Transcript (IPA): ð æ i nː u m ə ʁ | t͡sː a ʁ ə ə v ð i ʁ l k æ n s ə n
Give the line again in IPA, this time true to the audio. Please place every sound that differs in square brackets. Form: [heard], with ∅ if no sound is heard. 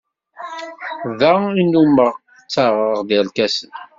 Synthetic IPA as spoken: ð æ i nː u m ə ʁ | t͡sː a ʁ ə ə [ʁ] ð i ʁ l k æ [∅] s ə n